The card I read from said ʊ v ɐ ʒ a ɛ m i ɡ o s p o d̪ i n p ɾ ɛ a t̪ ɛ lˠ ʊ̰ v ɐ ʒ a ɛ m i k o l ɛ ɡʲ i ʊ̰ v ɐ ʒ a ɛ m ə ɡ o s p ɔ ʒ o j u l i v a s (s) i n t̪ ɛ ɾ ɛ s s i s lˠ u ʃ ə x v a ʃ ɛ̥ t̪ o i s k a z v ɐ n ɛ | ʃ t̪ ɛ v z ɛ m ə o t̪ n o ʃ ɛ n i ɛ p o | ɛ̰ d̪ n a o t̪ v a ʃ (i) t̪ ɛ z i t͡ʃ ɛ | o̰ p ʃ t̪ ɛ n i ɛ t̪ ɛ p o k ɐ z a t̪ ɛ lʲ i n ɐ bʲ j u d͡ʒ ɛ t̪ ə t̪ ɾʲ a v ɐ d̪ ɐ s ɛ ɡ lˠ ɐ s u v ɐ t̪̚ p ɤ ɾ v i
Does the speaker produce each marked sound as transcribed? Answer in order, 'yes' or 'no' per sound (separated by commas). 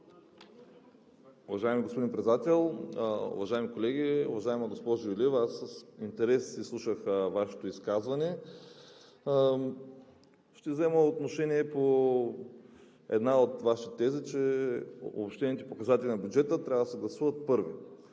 yes, yes